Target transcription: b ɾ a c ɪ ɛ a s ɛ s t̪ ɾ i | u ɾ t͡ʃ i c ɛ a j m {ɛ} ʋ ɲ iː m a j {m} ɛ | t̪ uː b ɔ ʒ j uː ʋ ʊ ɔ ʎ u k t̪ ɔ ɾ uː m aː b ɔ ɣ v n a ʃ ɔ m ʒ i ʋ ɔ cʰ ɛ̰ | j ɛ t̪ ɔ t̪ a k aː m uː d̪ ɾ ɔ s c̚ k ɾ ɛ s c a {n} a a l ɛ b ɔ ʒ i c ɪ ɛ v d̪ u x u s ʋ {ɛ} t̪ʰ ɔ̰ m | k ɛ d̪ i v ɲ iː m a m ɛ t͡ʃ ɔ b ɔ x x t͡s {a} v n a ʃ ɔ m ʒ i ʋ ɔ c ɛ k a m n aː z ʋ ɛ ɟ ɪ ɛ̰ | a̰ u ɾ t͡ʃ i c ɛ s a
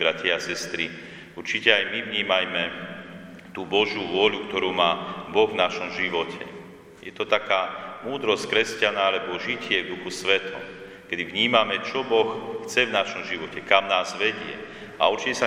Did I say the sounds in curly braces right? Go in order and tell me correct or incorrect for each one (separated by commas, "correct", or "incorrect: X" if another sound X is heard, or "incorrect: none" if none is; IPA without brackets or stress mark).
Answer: incorrect: i, correct, correct, correct, incorrect: ɛ